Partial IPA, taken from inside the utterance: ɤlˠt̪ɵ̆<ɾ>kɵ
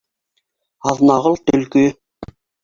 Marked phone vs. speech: incorrect: l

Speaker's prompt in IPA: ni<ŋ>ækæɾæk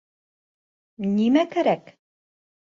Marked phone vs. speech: incorrect: m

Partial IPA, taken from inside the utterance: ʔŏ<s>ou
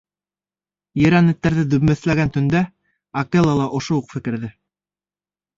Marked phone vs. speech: incorrect: ʃ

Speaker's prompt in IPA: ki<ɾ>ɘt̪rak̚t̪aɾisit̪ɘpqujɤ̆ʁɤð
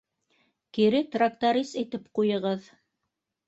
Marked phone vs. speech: correct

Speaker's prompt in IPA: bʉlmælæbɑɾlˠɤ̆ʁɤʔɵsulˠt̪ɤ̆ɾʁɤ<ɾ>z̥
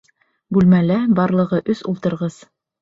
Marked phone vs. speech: incorrect: none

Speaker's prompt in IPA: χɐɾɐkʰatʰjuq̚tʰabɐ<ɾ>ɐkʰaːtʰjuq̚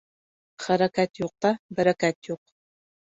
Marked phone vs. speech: correct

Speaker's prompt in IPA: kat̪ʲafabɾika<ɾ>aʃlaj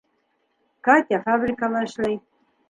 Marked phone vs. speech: incorrect: l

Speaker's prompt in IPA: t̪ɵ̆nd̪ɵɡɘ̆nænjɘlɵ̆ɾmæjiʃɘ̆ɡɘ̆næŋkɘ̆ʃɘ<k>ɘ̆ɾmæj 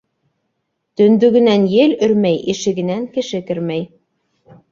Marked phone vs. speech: correct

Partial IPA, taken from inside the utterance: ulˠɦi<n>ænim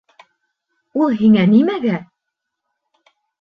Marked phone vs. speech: incorrect: ŋ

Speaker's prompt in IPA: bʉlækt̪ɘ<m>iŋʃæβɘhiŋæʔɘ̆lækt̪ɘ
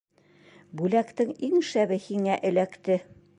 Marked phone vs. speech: incorrect: ŋ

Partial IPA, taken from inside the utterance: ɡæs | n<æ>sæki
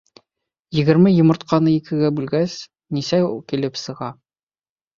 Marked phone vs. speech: incorrect: i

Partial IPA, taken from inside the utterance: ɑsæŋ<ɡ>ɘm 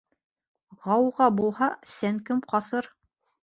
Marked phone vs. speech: incorrect: k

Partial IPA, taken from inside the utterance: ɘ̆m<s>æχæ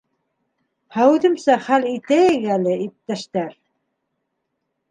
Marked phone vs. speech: correct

